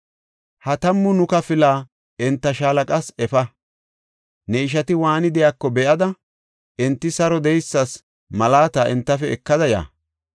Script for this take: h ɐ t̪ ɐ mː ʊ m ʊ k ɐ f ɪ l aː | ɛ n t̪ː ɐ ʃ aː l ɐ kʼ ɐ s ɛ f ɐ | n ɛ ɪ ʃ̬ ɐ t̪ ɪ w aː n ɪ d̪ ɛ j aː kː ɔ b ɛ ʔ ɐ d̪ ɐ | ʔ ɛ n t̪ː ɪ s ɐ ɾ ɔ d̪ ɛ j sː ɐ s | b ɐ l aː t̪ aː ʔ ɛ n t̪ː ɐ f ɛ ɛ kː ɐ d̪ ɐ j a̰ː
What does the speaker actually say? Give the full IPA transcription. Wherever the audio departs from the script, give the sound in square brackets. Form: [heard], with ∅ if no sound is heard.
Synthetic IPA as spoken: h ɐ t̪ ɐ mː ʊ [n] ʊ k ɐ f ɪ l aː | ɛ n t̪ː ɐ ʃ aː l ɐ kʼ ɐ s ɛ f ɐ | n ɛ ɪ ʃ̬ ɐ t̪ ɪ w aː n ɪ d̪ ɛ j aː kː ɔ b ɛ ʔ ɐ d̪ ɐ | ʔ ɛ n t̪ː ɪ s ɐ ɾ ɔ d̪ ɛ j sː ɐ s | [m] ɐ l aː t̪ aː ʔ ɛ n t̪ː ɐ f ɛ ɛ kː ɐ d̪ ɐ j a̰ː